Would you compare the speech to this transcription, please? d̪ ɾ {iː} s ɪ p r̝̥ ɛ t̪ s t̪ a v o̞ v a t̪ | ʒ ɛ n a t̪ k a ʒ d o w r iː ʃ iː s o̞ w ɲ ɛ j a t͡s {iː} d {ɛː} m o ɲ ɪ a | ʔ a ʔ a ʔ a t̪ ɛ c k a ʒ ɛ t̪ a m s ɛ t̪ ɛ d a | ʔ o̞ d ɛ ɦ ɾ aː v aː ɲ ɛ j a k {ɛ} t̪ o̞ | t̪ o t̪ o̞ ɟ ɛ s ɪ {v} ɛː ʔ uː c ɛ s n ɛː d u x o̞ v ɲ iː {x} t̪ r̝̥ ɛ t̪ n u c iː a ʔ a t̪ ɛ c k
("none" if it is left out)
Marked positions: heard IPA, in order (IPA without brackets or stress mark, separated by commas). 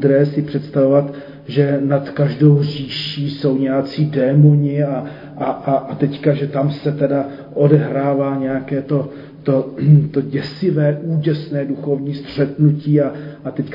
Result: ɛː, iː, ɛː, ɛː, v, s